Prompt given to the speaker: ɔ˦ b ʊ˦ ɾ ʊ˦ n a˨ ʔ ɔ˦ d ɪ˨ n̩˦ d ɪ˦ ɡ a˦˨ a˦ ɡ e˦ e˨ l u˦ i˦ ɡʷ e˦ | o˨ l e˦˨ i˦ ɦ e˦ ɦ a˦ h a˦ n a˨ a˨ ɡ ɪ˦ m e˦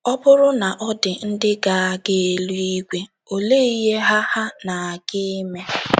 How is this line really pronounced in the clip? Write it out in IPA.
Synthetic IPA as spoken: ɔ˦ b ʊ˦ ɾ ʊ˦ n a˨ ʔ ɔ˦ d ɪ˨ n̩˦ d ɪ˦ ɡ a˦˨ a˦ ɡ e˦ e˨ l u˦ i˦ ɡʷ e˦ | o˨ l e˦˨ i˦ ɦ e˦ ɦ a˦ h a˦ n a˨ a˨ ɡ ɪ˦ m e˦